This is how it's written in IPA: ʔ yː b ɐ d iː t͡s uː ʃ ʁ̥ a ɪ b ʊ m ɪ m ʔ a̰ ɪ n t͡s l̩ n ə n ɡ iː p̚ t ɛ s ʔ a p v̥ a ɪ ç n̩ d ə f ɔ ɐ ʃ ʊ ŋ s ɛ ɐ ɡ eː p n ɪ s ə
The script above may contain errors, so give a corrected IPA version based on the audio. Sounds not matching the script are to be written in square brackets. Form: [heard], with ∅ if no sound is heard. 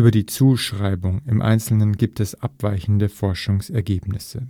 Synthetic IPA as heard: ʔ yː b ɐ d iː t͡s uː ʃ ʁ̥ a ɪ b ʊ [ŋ] ɪ m ʔ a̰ ɪ n t͡s l̩ n ə n ɡ iː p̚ t ɛ s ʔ a p v̥ a ɪ ç n̩ d ə f ɔ ɐ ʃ ʊ ŋ s ɛ ɐ ɡ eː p n ɪ s ə